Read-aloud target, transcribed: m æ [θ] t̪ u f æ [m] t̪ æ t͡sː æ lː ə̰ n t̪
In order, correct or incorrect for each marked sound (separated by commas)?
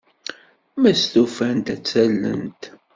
incorrect, incorrect